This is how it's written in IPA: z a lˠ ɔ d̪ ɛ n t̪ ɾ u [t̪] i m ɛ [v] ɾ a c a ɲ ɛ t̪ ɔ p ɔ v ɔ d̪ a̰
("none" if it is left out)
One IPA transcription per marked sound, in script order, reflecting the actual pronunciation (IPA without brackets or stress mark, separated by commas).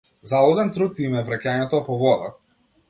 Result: t̪, v